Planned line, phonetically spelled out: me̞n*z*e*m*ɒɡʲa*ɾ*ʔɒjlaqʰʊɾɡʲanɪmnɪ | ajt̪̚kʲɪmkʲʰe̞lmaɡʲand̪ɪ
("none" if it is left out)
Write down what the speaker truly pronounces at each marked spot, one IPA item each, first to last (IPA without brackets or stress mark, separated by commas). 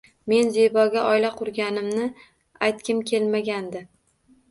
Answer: z, b, none